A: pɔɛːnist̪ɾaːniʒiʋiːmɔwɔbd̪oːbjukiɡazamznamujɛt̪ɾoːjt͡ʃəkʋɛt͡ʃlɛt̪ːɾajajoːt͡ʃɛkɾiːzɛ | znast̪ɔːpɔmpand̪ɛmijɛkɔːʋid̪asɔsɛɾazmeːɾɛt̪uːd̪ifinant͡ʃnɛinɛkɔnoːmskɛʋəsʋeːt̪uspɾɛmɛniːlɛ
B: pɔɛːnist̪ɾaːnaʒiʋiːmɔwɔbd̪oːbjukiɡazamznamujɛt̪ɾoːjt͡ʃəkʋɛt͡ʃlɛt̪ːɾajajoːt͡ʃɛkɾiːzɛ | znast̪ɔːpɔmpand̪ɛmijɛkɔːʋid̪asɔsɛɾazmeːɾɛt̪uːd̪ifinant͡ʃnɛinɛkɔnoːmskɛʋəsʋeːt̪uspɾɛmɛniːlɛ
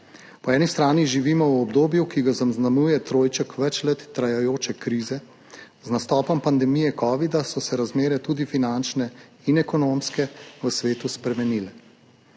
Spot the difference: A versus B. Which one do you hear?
A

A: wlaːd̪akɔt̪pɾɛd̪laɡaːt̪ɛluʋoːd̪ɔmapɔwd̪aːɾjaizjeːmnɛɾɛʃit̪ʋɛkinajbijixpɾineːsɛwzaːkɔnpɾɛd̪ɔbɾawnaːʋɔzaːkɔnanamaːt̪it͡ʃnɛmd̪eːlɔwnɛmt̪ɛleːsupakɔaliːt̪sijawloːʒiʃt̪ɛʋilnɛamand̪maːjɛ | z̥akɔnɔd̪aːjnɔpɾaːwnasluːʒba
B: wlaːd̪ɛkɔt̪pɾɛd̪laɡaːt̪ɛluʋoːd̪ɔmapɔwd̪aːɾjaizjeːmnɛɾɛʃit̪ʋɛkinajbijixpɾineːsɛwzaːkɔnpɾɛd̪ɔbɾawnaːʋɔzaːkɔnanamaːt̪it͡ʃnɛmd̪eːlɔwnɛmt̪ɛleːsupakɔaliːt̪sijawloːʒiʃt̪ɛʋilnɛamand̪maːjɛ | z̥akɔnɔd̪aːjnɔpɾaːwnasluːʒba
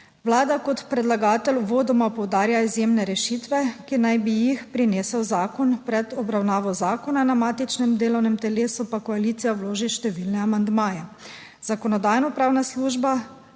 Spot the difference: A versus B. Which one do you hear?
A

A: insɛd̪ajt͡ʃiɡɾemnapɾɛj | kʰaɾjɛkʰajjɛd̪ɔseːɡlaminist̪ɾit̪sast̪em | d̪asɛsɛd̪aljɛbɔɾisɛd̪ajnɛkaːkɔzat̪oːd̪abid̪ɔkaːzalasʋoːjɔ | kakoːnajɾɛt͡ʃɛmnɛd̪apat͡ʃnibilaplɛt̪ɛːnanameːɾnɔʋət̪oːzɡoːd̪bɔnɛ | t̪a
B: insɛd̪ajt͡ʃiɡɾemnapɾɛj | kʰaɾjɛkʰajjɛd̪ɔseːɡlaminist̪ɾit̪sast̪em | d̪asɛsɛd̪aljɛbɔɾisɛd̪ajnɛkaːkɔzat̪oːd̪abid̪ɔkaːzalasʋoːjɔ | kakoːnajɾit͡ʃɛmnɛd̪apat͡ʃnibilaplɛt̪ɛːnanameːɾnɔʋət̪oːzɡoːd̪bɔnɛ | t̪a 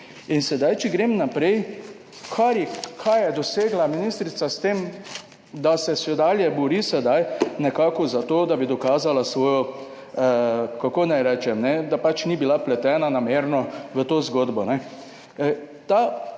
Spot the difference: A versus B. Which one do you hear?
A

